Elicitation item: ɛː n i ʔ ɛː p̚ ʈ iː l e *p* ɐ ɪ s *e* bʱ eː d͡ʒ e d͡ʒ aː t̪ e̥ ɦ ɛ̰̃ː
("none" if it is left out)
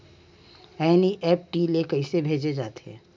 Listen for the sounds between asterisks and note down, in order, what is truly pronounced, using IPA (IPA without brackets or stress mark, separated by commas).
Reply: k, e